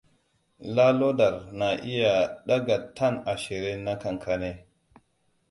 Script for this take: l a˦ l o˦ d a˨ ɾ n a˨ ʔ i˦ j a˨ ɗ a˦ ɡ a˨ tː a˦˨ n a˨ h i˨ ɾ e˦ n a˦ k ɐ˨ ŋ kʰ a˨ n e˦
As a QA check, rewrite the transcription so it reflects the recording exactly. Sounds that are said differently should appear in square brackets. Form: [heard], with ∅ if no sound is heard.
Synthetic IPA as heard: l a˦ l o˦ d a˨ ɾ n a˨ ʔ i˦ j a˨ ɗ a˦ ɡ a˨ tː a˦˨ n a˨ [ʃ] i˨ ɾ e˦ n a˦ k [a˨] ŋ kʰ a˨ n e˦